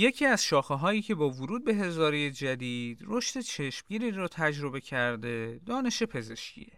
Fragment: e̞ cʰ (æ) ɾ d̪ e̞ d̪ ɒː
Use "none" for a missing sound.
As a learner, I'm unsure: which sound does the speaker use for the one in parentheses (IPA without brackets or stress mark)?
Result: æ